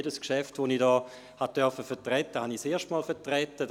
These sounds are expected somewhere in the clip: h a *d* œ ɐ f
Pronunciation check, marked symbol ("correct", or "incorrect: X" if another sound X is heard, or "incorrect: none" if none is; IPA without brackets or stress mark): incorrect: t